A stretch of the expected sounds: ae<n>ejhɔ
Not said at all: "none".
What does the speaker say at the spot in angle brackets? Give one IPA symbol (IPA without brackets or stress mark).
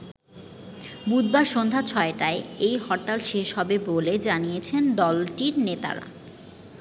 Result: none